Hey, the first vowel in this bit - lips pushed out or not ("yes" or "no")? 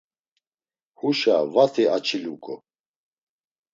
yes